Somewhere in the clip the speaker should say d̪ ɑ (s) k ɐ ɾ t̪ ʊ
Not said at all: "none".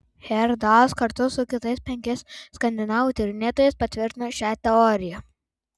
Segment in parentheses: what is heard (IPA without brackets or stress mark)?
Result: s